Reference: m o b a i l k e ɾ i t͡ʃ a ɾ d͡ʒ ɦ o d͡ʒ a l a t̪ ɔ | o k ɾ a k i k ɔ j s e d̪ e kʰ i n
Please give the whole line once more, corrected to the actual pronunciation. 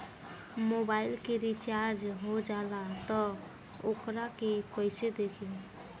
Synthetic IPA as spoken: m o b a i l k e ɾ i t͡ʃ a ɾ d͡ʒ ɦ o d͡ʒ a l a t̪ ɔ | o k ɾ a k e k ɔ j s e d̪ e kʰ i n